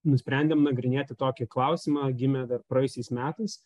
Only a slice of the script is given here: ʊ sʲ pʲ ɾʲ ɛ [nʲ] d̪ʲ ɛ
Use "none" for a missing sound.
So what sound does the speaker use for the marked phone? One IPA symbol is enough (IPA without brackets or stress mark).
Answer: nʲ